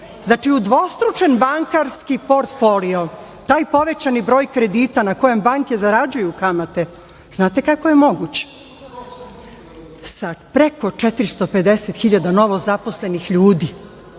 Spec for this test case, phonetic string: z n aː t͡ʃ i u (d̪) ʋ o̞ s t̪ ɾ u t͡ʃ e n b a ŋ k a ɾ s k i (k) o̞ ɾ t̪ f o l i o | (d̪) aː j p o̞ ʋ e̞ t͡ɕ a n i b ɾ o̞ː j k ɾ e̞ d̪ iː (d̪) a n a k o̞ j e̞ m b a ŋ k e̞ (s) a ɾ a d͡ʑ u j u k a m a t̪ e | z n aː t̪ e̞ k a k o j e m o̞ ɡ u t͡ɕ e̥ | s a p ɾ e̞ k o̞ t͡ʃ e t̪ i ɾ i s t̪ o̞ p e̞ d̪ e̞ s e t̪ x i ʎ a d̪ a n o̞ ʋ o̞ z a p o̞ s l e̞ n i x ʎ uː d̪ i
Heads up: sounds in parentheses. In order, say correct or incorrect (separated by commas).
correct, incorrect, incorrect, incorrect, incorrect